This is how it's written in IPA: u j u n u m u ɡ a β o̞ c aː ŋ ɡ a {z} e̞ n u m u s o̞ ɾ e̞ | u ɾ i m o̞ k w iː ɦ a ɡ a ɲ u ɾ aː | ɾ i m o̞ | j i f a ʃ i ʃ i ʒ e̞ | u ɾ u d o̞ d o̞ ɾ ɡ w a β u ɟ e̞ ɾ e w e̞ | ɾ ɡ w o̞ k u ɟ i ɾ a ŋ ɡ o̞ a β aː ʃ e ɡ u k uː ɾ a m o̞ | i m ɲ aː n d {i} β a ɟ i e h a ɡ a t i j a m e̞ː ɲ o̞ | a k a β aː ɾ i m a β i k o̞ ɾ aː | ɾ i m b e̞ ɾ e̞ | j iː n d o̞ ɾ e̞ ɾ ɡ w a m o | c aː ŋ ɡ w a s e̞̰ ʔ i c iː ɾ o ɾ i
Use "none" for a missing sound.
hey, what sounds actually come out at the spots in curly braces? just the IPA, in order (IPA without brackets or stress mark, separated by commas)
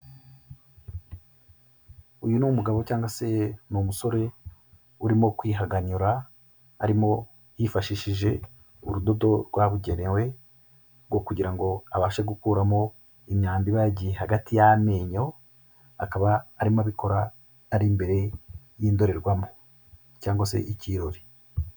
s, i